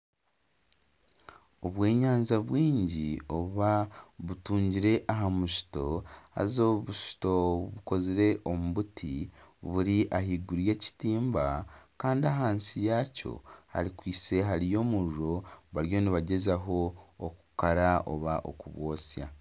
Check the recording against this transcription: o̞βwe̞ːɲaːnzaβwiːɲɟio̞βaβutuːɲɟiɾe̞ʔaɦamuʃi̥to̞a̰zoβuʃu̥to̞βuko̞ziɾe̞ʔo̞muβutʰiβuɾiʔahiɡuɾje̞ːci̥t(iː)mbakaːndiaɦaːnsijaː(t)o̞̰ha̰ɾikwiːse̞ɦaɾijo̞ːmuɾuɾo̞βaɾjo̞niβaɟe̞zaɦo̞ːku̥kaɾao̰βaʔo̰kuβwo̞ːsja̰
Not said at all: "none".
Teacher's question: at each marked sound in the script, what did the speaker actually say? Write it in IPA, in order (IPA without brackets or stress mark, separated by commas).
iː, c